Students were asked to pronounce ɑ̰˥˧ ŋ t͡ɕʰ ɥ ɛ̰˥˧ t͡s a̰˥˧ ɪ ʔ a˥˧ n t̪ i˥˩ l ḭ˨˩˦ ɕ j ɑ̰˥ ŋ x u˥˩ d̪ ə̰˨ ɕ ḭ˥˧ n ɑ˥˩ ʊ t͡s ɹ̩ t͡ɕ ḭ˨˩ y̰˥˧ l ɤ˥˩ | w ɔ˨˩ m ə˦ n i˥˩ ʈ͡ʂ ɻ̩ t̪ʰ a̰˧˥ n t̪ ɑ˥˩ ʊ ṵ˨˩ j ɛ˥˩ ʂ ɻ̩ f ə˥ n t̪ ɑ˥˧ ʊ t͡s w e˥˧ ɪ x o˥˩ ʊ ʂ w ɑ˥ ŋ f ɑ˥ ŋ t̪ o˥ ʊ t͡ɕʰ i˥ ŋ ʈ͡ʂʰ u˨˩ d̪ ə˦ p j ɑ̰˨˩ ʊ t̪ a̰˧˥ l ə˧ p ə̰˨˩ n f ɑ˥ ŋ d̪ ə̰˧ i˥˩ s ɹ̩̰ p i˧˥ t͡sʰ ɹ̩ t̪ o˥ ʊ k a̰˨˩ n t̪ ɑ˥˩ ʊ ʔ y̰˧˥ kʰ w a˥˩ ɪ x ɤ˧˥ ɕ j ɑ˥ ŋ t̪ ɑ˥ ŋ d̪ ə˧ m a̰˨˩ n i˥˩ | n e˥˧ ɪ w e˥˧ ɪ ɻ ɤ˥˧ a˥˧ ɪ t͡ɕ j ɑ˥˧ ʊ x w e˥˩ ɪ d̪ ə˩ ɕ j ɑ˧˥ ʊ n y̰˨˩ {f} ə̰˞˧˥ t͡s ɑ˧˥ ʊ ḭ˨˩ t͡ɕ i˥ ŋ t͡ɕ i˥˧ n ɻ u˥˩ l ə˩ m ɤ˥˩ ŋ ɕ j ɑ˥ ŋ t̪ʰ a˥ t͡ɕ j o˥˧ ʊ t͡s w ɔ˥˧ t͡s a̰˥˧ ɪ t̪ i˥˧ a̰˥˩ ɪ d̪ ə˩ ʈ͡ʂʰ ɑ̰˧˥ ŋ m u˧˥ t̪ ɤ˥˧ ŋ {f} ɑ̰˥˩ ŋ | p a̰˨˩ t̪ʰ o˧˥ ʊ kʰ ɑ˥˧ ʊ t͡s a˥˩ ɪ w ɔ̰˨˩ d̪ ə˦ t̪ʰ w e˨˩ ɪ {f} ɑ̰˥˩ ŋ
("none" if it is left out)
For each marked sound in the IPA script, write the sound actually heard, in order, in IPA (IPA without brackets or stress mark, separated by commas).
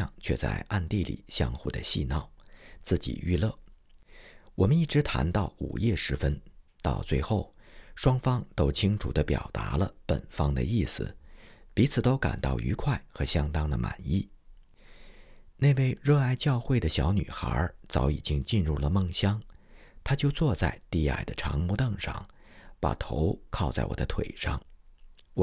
x, ʂ, ʂ